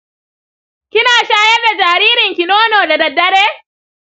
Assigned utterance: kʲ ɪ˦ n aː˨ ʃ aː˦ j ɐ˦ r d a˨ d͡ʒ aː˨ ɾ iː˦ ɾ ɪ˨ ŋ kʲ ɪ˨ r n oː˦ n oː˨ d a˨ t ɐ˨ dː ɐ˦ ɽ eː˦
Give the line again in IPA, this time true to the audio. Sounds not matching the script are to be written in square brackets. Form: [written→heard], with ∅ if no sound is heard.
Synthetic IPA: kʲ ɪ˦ n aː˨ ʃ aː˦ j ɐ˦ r d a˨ d͡ʒ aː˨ ɾ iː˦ ɾ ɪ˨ ŋ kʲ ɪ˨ [r→∅] n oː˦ n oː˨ d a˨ [t→d] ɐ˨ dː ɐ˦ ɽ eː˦